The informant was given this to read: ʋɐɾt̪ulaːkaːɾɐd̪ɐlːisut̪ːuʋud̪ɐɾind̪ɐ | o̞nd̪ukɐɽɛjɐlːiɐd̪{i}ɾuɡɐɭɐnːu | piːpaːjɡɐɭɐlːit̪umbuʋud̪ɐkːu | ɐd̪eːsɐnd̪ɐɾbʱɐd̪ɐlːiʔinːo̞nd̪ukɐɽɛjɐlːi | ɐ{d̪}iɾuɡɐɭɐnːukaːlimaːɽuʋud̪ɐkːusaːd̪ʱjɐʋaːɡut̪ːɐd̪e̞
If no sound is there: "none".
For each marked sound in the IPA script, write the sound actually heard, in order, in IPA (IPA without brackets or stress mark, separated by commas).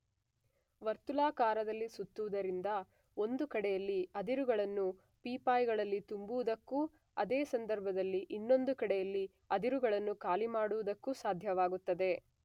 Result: i, d̪